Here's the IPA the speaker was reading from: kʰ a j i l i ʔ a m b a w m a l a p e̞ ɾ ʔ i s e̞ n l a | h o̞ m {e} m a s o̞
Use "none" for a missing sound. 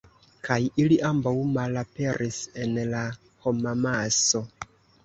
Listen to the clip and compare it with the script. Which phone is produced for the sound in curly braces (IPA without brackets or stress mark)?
a